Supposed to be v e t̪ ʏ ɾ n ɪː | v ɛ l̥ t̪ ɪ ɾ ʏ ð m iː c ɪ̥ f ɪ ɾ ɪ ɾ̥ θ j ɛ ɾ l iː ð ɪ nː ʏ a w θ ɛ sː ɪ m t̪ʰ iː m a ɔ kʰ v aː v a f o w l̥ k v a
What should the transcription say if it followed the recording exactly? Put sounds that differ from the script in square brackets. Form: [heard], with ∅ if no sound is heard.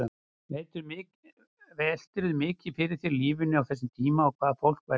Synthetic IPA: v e t̪ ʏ ɾ [m] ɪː | v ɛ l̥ t̪ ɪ ɾ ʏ ð m [ɪː] c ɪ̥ f ɪ ɾ ɪ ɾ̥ θ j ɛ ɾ l iː [v] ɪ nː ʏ a w θ ɛ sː ɪ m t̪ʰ iː m a ɔ kʰ v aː [ð] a f o w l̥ k v a